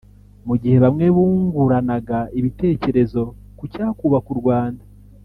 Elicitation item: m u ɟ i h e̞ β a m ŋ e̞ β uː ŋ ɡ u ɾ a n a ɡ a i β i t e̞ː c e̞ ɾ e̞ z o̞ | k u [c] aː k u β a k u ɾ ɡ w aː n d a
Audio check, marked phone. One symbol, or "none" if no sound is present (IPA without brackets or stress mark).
c